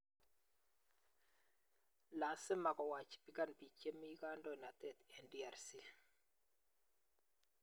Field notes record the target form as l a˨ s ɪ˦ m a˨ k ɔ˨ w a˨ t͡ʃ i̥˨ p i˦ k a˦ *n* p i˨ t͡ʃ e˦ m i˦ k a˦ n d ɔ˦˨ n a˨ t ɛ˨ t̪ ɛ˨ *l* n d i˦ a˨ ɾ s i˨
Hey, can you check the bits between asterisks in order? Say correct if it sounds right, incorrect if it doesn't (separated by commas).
correct, incorrect